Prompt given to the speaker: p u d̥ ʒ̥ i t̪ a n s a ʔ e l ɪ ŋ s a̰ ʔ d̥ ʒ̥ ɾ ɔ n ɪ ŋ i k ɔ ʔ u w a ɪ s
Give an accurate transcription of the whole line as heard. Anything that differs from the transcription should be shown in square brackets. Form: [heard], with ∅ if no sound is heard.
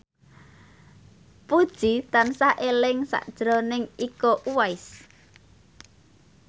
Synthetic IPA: p u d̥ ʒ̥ i t̪ a n s a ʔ e l ɪ ŋ s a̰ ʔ d̥ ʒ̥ ɾ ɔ n ɪ ŋ i k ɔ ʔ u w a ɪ s